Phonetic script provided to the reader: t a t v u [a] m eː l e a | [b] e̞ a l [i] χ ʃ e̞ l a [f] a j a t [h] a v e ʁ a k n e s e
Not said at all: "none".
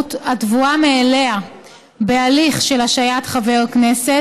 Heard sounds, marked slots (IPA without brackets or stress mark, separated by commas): a, b, i, ʃ, χ